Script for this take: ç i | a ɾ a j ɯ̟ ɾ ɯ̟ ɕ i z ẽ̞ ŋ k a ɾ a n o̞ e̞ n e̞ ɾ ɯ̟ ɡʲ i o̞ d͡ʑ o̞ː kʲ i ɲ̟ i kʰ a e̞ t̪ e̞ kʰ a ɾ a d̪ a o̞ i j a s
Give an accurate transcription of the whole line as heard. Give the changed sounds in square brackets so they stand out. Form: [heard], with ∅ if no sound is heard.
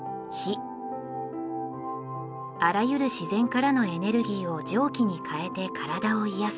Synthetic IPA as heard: ç i | a ɾ a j ɯ̟ ɾ ɯ̟ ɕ i z ẽ̞ ŋ k a ɾ a n o̞ e̞ n e̞ ɾ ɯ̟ ɡʲ [iː] o̞ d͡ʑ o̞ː kʲ i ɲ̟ i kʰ a e̞ t̪ e̞ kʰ a ɾ a d̪ a o̞ i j a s